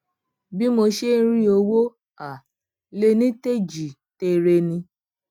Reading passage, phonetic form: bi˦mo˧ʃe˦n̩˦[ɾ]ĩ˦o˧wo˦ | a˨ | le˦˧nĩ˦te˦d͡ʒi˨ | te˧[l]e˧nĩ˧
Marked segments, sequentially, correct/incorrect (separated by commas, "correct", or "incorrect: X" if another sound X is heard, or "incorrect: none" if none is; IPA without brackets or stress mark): correct, incorrect: ɾ